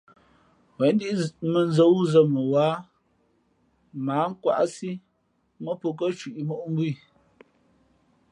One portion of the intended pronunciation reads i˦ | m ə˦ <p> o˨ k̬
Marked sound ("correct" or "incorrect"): correct